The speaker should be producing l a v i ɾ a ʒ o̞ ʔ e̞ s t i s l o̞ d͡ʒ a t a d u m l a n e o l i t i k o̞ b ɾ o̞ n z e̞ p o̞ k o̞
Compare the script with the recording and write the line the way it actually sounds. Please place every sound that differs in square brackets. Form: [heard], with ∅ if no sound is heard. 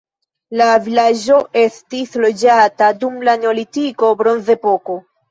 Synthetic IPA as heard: l a v i [l] a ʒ o̞ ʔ e̞ s t i s l o̞ d͡ʒ a t a d u m l a n e o l i t i k o̞ b ɾ o̞ n z e̞ p o̞ k o̞